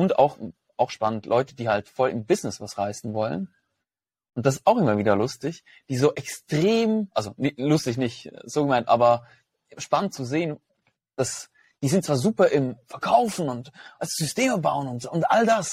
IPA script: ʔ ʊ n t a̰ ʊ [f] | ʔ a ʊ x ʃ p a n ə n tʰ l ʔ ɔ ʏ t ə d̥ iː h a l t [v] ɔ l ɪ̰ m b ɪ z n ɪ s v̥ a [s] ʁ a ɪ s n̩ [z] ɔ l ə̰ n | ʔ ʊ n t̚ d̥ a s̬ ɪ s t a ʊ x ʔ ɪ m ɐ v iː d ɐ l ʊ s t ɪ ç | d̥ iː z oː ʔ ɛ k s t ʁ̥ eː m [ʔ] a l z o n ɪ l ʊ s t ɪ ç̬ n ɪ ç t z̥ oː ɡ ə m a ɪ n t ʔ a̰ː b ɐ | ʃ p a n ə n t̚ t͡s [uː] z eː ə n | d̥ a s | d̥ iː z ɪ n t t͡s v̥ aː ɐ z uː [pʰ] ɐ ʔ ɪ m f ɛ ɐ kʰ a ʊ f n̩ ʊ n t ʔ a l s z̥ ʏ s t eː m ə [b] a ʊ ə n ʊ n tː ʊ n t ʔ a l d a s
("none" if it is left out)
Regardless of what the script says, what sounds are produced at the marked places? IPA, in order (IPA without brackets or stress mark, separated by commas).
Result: x, f, s, v, ʔ, u, p, b